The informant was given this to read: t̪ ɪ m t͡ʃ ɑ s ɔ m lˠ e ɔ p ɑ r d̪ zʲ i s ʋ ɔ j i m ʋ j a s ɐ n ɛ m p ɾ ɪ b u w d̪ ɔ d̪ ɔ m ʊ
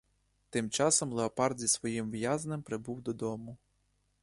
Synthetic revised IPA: t̪ ɪ m t͡ʃ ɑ s ɔ m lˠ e ɔ p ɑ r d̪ zʲ i s ʋ ɔ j i m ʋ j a z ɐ n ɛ m p ɾ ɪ b u w d̪ ɔ d̪ ɔ m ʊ